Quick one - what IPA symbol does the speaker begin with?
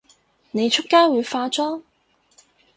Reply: n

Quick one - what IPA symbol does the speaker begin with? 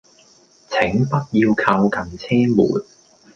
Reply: t͡sʰ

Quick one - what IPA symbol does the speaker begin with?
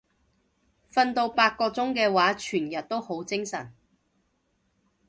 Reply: f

